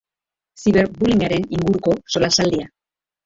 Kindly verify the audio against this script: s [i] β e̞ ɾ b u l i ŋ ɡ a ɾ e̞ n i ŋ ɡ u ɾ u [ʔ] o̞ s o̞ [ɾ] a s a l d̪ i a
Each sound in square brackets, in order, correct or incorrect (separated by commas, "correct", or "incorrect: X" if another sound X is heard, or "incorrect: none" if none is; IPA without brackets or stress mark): correct, incorrect: k, incorrect: l